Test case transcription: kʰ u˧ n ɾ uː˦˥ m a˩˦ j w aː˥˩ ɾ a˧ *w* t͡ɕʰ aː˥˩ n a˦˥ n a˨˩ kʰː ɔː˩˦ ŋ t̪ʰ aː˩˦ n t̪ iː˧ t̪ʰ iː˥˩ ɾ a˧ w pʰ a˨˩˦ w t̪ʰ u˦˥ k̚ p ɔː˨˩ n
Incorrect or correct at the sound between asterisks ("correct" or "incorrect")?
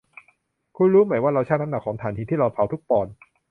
correct